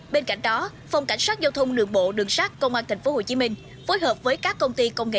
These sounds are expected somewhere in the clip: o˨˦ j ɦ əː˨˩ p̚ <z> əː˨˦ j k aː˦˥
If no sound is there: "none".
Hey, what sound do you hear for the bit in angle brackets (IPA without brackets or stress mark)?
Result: v